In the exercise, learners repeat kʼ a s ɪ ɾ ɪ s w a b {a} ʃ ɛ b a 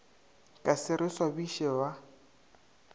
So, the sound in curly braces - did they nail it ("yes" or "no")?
no